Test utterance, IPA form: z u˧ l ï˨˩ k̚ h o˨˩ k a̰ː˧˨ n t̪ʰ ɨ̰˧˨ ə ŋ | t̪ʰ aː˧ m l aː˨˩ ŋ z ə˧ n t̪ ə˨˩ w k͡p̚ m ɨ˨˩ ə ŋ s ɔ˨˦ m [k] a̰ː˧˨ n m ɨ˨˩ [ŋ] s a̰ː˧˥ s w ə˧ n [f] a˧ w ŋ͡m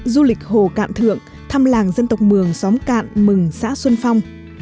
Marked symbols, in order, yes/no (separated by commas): yes, yes, yes